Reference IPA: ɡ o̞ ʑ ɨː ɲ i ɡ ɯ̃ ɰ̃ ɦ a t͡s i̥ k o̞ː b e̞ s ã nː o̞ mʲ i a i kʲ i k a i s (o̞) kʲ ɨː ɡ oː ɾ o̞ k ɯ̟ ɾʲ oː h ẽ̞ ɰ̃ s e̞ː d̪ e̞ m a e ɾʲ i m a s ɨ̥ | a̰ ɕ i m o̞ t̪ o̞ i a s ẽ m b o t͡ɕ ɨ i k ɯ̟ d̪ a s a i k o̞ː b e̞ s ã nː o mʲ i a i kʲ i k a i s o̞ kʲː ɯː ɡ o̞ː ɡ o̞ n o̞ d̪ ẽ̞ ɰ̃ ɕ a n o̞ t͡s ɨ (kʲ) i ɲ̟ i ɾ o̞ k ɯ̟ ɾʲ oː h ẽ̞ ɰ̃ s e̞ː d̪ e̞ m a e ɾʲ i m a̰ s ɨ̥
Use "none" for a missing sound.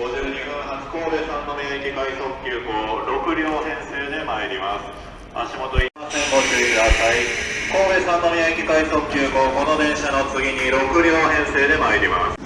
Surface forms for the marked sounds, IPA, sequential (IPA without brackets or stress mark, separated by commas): o̞, ɡʲ